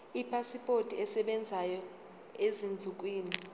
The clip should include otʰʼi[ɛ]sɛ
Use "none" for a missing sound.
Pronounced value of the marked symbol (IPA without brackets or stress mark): ɛ